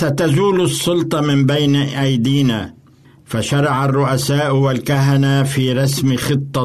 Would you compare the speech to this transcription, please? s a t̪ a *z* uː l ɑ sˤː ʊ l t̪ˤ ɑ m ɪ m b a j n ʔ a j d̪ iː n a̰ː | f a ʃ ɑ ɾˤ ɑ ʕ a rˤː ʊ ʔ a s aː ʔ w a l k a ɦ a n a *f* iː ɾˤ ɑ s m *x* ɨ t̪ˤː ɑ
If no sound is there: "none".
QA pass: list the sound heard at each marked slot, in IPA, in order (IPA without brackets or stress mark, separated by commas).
z, f, x